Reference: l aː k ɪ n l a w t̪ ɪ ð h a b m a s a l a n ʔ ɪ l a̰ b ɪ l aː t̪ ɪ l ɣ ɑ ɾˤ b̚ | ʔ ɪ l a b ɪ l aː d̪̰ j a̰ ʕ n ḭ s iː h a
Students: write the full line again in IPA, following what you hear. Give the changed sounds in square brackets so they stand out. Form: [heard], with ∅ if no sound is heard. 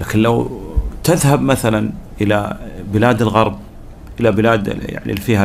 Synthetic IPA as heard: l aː k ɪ n l a w t̪ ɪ ð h a b m a [θ] a l a n ʔ ɪ l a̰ b ɪ l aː [d̪] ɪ l ɣ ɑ ɾˤ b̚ | ʔ ɪ l a b ɪ l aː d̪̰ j a̰ ʕ n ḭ [f] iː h a